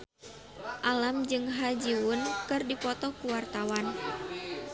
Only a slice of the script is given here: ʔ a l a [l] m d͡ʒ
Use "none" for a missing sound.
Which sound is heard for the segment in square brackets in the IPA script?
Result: none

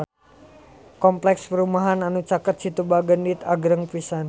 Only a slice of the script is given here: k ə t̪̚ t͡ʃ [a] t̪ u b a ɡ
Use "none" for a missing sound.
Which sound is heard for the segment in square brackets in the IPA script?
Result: i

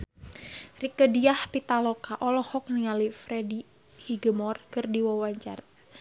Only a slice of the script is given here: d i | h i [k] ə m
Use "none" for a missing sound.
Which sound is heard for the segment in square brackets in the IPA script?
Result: ɡ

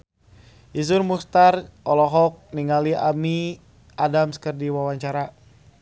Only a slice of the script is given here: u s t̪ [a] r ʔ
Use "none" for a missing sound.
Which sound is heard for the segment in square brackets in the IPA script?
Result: a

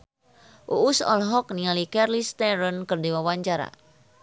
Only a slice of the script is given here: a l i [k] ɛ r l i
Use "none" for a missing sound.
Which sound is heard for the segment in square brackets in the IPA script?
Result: k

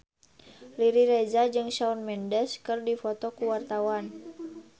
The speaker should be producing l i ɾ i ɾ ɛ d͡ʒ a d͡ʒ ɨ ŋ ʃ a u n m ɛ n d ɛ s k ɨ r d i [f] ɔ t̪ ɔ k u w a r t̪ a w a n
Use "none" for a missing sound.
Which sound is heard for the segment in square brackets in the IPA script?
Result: f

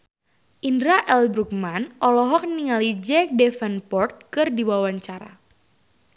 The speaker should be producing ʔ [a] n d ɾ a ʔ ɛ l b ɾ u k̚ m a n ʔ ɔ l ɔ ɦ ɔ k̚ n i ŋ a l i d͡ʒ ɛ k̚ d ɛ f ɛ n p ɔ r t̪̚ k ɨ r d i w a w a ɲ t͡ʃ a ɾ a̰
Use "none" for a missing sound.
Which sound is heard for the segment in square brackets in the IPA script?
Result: i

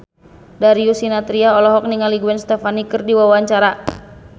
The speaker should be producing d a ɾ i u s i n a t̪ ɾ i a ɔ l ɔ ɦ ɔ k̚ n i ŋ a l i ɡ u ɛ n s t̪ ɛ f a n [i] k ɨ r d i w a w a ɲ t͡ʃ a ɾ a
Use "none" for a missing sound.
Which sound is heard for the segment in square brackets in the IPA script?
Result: i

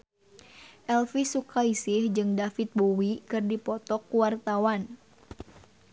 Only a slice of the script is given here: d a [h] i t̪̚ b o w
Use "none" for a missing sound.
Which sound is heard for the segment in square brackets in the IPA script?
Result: f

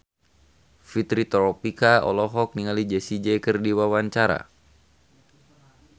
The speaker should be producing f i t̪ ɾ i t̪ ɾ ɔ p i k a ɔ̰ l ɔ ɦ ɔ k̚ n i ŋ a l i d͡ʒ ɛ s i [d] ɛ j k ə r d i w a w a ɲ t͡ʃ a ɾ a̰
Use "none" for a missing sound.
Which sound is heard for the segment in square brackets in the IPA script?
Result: d͡ʒ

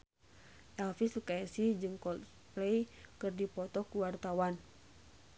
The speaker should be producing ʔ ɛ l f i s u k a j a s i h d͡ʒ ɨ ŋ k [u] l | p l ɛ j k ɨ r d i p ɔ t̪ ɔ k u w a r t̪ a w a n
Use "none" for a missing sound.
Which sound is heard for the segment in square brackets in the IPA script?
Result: ɔ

